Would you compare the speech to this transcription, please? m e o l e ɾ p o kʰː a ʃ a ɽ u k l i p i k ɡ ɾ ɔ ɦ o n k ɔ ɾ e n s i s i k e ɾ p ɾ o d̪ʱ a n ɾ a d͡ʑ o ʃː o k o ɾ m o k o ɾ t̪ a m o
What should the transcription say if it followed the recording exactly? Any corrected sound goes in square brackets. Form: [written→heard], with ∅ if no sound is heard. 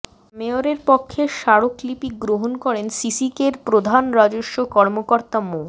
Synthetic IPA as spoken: m e o [l→ɾ] e ɾ p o kʰː [a→e] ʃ a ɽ [u→o] k l i p i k ɡ ɾ [ɔ→o] ɦ o n k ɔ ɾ e n s i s i k e ɾ p ɾ o d̪ʱ a n ɾ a d͡ʑ o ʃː o k [o→ɔ] ɾ m o k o ɾ t̪ a m o

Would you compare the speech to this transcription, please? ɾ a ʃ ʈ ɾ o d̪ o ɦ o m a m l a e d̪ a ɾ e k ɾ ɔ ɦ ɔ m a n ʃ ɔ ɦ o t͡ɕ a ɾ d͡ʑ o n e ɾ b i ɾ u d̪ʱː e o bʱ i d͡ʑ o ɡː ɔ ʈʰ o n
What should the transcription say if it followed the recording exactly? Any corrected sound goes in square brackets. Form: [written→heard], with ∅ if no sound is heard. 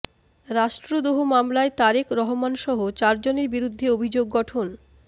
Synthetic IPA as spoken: ɾ a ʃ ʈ ɾ o d̪ o ɦ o m a m l a e [d̪→t̪] a ɾ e k ɾ ɔ ɦ [ɔ→o] m a n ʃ ɔ ɦ o t͡ɕ a ɾ d͡ʑ o n e ɾ b i ɾ u d̪ʱː e o bʱ i d͡ʑ o ɡː ɔ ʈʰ o n

